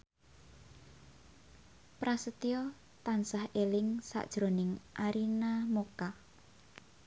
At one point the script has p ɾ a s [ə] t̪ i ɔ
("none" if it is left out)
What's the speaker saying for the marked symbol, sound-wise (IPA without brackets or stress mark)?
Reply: ə